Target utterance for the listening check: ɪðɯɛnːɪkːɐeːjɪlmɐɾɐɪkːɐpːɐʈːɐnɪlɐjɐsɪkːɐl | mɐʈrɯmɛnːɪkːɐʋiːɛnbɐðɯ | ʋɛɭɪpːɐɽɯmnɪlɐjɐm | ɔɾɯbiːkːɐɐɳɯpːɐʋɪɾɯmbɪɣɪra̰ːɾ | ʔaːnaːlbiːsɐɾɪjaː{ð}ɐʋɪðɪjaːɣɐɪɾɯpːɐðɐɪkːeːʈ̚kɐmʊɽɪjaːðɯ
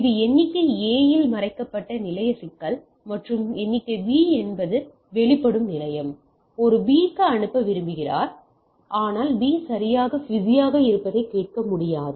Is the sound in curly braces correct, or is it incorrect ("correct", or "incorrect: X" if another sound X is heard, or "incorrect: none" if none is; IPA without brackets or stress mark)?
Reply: incorrect: ɣ